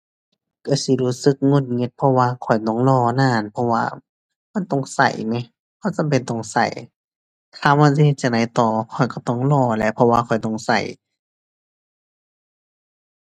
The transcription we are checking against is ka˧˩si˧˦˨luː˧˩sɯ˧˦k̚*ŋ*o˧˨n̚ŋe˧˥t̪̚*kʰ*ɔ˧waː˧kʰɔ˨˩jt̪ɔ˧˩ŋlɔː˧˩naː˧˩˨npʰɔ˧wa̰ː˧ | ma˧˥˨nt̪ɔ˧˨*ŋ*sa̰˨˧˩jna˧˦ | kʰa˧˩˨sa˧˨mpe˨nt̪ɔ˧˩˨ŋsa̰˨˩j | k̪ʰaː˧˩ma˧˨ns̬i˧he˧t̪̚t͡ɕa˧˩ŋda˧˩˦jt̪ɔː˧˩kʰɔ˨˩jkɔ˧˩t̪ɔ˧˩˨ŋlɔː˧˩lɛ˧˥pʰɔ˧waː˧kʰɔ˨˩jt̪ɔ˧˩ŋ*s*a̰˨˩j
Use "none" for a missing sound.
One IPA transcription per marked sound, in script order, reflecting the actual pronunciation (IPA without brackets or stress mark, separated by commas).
ŋ, pʰ, ŋ, s